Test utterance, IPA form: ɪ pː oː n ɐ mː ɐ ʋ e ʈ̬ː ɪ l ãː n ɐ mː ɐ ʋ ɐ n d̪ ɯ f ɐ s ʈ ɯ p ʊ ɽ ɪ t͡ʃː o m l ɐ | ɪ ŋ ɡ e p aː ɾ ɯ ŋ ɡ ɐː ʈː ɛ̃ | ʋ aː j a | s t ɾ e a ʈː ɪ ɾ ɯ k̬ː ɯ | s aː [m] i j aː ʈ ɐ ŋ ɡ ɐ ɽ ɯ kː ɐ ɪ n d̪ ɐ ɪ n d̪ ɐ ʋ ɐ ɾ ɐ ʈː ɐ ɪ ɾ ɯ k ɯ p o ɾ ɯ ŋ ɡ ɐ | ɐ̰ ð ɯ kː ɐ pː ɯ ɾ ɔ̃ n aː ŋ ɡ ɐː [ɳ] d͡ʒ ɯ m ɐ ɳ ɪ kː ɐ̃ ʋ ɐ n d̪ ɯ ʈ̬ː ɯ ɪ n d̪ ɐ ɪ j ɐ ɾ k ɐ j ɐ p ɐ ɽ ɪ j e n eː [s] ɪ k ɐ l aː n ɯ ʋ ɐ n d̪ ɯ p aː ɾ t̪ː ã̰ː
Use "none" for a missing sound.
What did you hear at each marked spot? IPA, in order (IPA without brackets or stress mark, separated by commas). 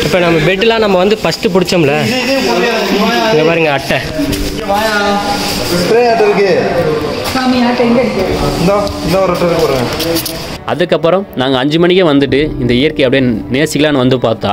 m, ɲ, s